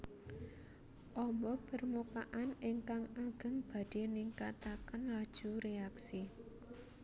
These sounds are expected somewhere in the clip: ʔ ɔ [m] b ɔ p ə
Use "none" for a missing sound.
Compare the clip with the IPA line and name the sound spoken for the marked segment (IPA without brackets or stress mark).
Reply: m